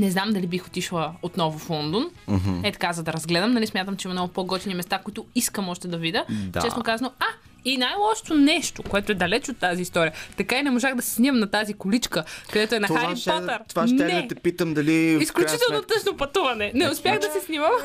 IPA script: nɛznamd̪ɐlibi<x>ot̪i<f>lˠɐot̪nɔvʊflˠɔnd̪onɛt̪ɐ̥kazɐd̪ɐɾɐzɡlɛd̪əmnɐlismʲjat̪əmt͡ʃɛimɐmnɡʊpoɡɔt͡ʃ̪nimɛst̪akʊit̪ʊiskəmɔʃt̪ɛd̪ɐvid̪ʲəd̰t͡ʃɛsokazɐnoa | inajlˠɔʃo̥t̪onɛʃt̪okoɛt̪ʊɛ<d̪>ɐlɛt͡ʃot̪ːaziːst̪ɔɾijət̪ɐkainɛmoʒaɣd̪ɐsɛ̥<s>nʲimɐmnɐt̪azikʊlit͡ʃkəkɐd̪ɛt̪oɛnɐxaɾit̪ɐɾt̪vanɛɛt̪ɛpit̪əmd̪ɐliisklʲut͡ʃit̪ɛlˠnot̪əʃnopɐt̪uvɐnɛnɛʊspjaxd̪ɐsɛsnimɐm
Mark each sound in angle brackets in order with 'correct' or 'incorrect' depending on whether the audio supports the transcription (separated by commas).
correct, incorrect, correct, correct